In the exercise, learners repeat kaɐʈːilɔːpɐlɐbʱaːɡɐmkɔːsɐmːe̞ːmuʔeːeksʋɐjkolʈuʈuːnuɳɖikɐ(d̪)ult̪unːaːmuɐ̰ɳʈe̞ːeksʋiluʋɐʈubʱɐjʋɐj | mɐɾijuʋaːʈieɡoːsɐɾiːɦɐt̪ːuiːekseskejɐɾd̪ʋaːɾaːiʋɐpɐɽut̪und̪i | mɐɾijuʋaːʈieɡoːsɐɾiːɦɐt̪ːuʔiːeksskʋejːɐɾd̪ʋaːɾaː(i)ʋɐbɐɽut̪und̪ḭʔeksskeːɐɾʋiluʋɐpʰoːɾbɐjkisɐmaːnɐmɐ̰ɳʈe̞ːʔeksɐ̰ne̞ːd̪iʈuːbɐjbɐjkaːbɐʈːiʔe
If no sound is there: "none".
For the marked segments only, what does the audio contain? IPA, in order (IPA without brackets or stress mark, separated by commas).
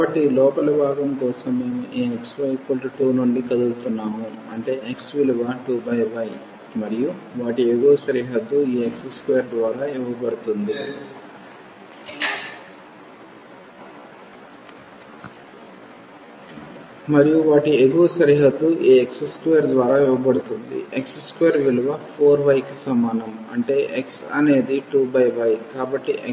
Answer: d̪, i